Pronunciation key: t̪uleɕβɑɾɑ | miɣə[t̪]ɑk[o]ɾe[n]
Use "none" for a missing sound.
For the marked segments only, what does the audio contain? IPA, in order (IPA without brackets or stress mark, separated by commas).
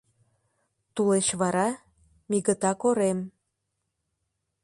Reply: t̪, o, m